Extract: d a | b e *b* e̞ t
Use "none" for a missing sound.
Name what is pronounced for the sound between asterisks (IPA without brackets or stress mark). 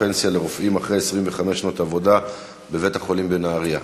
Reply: v